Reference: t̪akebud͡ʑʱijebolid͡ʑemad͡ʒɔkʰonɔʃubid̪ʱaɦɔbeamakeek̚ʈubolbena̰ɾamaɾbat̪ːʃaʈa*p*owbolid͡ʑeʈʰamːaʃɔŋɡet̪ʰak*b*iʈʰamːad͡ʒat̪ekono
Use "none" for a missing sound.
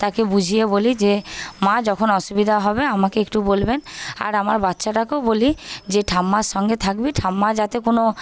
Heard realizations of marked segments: k, b

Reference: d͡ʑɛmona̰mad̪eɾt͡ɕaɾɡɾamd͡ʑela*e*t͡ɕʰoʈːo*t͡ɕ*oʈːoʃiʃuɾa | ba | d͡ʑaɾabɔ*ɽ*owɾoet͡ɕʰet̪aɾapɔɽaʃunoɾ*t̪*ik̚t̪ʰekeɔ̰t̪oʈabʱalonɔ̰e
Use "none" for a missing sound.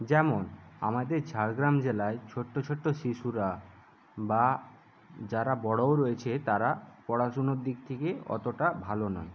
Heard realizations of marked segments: e, t͡ɕʰ, ɽ, d̪

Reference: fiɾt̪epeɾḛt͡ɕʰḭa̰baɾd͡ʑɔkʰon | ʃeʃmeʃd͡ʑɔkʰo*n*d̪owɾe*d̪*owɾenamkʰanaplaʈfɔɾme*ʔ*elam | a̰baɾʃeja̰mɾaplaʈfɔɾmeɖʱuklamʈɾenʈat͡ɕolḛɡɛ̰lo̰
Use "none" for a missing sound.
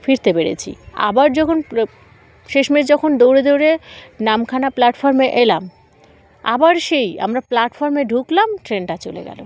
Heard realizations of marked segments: n, d̪, ʔ

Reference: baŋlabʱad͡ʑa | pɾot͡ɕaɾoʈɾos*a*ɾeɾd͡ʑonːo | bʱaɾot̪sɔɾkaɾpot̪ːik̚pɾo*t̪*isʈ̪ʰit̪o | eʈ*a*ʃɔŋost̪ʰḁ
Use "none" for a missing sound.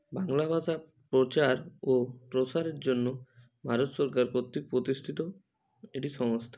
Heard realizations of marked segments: a, t̪, i

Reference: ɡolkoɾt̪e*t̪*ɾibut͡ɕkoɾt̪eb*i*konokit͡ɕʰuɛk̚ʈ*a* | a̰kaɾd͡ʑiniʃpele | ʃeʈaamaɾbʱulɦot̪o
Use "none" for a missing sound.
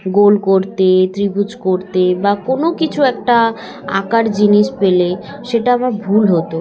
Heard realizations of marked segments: t̪, a, a

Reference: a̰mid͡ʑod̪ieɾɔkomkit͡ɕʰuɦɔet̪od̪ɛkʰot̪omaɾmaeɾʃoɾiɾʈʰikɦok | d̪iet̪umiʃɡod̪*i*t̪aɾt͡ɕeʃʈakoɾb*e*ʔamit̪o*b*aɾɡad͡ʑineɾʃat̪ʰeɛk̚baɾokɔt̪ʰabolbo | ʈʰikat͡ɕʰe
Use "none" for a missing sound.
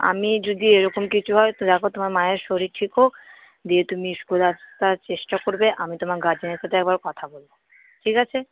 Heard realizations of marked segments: a, e, m

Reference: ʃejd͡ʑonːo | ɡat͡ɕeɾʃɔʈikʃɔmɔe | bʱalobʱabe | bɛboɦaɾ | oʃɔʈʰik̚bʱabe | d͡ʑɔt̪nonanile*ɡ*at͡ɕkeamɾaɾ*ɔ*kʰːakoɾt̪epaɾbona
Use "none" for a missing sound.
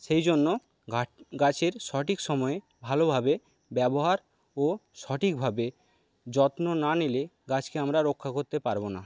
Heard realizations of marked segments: ɡ, o

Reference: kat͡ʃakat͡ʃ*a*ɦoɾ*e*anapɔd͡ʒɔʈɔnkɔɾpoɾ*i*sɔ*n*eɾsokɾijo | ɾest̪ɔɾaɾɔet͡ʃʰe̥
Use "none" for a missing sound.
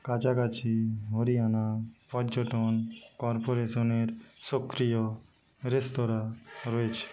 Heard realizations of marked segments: i, i, e, n

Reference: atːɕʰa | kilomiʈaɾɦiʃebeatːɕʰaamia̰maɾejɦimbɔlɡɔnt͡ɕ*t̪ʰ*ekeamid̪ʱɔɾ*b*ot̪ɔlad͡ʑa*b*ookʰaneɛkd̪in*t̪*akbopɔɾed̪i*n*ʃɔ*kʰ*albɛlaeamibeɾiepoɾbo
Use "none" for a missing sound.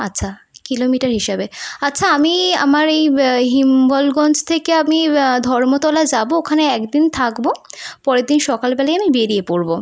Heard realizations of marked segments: t̪ʰ, m, b, t̪ʰ, n, k

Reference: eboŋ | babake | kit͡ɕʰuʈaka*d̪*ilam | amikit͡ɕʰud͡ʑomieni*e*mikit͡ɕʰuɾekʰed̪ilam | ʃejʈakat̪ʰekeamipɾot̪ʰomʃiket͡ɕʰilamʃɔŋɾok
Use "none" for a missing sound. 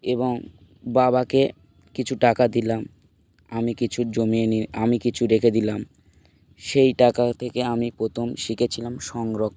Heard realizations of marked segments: d̪, a

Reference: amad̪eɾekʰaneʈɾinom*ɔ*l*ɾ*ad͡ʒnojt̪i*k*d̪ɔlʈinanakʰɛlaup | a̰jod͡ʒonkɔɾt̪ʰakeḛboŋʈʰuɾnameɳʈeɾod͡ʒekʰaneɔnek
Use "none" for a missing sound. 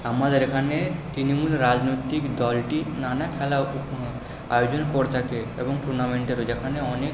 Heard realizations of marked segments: u, ɾ, k

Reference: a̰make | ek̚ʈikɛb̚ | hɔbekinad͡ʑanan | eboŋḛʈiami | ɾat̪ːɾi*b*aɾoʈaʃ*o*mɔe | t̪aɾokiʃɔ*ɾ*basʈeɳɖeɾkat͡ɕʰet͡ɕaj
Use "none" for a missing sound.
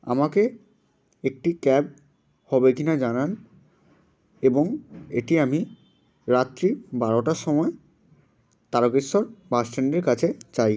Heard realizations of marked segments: b, ɔ, ɾ

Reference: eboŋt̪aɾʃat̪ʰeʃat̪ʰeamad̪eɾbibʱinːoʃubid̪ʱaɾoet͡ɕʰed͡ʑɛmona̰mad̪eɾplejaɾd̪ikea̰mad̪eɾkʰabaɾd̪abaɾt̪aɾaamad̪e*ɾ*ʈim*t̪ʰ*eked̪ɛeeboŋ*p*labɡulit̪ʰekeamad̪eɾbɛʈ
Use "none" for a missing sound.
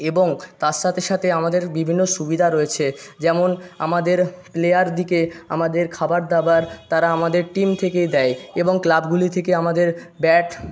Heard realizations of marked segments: ɾ, t̪ʰ, k

